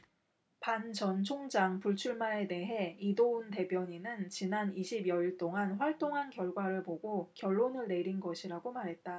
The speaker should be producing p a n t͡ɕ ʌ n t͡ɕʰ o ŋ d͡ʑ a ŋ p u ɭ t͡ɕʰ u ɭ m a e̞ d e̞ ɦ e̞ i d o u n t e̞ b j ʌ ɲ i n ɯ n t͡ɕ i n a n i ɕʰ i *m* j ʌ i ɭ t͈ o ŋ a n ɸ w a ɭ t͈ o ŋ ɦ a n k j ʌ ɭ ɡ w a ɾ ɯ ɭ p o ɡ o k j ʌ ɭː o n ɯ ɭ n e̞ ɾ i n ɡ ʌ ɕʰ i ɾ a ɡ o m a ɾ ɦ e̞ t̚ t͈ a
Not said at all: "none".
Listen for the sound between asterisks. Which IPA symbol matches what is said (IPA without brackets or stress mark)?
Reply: b